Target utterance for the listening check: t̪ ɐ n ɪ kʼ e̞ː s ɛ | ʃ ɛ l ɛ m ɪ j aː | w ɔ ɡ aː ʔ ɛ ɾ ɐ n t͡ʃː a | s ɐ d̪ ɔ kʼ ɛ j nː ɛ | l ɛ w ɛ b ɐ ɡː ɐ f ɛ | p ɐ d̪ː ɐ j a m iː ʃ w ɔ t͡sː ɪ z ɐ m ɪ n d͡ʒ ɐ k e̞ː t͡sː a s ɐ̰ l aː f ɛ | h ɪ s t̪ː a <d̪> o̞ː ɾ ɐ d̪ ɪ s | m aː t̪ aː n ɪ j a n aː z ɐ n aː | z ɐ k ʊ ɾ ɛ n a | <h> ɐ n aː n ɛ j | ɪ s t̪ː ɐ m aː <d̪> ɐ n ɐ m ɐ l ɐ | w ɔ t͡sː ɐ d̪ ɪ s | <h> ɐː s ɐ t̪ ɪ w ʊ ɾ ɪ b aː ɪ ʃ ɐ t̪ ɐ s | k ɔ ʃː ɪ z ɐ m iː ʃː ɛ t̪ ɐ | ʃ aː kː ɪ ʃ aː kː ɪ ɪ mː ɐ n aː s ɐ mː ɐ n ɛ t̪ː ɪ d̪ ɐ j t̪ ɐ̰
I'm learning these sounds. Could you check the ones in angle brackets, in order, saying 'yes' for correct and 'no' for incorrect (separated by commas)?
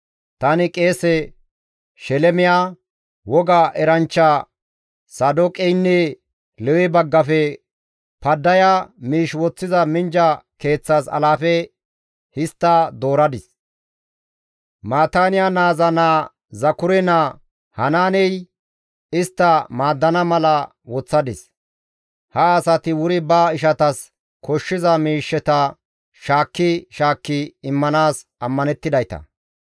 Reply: yes, yes, no, yes